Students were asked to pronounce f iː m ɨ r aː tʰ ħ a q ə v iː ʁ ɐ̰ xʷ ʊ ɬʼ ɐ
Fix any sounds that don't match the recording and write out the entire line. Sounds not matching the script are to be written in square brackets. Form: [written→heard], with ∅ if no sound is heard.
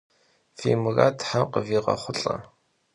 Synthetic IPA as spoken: f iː m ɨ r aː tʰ ħ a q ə v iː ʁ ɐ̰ [xʷ→χʷ] ʊ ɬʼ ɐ